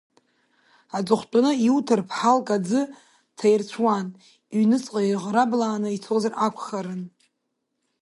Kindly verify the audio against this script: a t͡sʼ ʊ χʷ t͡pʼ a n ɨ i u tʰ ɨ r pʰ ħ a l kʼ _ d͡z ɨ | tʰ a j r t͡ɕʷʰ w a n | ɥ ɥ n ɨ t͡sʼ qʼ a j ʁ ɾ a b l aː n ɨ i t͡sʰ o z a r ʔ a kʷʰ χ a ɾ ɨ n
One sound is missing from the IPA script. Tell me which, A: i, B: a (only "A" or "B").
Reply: B